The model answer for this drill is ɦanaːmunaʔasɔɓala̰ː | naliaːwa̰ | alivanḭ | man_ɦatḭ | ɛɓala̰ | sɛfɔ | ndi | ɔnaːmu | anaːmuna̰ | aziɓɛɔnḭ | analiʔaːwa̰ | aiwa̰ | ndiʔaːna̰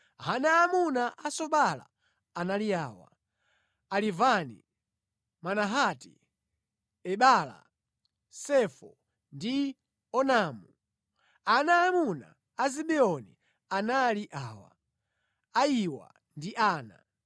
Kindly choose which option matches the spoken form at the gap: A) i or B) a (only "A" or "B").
B